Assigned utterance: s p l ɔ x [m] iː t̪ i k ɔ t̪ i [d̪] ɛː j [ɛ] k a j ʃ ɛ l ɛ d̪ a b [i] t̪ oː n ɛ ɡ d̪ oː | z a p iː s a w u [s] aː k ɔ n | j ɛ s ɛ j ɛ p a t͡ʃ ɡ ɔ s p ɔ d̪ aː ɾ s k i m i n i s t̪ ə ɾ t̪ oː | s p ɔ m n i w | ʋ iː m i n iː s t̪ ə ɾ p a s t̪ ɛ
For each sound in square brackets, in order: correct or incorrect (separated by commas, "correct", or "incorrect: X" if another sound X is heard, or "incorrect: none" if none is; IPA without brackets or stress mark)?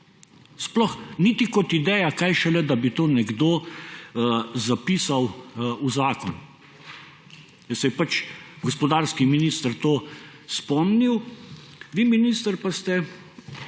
incorrect: n, correct, incorrect: a, correct, incorrect: z